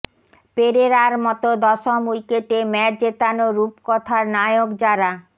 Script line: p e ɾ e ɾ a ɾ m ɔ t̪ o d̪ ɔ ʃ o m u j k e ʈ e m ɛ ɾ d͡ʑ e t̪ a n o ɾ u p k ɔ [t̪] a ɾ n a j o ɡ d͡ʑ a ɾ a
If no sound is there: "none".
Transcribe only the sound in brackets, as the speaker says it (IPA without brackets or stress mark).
t̪ʰ